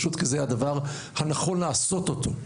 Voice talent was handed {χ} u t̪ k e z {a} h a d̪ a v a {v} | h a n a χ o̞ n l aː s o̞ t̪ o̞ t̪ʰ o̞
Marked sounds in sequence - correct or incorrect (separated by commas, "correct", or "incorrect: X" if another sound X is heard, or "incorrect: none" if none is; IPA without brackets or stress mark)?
incorrect: ʃ, incorrect: e, incorrect: ʁ